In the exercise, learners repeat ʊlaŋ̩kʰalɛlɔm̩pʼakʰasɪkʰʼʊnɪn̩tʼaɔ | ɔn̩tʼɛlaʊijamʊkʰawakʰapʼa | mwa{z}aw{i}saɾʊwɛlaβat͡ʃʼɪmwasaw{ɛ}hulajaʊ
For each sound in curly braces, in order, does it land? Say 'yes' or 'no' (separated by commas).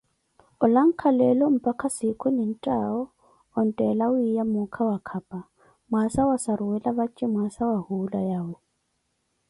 no, no, no